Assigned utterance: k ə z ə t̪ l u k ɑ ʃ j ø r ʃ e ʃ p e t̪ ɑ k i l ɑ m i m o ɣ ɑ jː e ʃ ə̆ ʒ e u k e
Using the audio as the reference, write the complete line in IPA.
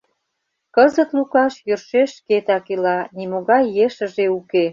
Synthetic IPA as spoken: k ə z ə t̪ l u k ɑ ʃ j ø r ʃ e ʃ k e t̪ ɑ k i l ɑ n i m o ɣ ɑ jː e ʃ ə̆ ʒ e u k e